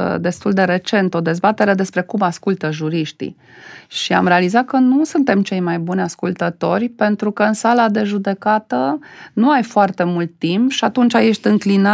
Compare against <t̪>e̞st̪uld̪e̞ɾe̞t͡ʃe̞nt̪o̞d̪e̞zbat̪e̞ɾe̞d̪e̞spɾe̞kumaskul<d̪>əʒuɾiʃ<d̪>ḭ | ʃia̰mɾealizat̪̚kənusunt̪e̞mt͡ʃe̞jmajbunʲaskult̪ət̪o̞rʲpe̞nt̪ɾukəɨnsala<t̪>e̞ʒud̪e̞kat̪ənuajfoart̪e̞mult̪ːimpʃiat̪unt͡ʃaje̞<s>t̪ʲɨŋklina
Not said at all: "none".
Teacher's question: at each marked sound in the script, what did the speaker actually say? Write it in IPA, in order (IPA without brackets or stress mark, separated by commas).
d̪, t̪, t̪, d̪, ʃ